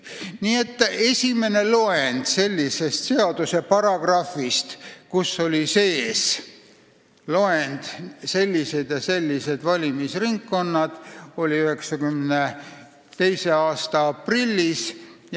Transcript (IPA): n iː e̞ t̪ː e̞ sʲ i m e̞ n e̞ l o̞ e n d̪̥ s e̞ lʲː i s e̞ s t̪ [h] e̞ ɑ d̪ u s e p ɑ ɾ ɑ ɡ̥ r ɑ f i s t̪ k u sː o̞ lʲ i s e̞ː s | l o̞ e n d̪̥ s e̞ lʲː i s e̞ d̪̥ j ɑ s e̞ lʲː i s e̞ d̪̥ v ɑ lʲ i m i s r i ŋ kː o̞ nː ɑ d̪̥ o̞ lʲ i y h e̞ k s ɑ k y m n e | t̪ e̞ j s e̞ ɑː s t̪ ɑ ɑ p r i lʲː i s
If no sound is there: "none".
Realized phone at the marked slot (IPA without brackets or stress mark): s